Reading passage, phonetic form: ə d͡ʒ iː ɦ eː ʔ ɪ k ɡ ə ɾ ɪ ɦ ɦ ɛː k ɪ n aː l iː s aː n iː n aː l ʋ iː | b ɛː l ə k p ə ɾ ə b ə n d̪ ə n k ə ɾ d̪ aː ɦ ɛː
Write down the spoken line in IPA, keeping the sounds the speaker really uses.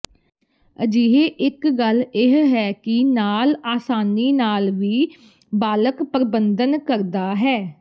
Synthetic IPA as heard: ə d͡ʒ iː ɦ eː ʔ ɪ k ɡ ə l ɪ ɦ ɦ ɛː k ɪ n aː l aː s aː n iː n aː l ʋ iː | b aː l ə k p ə ɾ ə b ə n d̪ ə n k ə ɾ d̪ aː ɦ ɛː